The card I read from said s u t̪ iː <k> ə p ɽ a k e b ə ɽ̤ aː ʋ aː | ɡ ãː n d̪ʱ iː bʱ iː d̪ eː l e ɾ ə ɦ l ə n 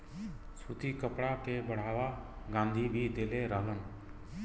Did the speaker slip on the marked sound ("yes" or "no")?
no